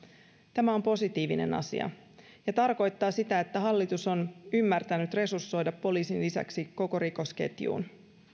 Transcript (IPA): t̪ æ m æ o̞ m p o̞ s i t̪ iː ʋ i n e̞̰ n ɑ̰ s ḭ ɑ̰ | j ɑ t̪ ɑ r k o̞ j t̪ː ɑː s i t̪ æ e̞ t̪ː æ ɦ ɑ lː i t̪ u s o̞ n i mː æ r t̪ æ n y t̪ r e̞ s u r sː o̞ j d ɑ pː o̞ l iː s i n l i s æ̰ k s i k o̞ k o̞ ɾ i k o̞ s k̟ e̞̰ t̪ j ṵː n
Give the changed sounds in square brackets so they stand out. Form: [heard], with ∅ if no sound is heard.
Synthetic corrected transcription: t̪ æ m æ o̞ m p o̞ s i t̪ iː ʋ i n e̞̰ n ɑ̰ s ḭ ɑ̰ | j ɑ t̪ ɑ r k o̞ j t̪ː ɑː s i t̪ æ e̞ t̪ː æ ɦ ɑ lː i t̪ u s o̞ n [y] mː æ r t̪ æ n y t̪ r e̞ s u r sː o̞ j d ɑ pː o̞ l iː s i n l i s æ̰ k s i k o̞ k o̞ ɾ i k o̞ s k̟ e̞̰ t̪ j ṵː n